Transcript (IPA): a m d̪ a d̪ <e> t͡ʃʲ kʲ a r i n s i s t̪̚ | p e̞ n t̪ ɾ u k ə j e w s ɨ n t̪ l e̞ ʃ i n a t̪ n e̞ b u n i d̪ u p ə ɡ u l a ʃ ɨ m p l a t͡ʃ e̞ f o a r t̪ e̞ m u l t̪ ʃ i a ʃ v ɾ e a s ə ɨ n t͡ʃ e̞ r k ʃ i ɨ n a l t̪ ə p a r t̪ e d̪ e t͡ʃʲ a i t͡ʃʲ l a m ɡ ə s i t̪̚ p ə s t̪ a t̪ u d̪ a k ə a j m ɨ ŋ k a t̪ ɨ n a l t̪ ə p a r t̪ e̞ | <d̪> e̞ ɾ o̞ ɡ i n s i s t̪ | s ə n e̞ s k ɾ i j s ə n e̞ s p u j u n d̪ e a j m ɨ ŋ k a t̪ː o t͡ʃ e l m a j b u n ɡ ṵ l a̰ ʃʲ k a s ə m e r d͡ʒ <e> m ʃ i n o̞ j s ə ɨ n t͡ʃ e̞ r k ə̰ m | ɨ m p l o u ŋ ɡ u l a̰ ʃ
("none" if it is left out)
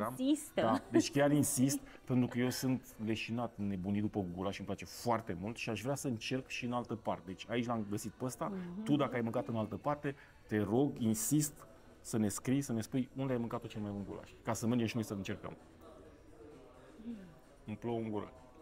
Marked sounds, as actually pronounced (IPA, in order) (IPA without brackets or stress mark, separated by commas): e, t̪, e